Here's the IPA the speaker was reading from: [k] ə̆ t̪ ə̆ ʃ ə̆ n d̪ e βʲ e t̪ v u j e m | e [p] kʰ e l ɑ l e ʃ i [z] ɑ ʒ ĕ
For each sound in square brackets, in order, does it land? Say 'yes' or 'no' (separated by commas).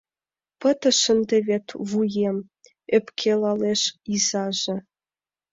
no, yes, yes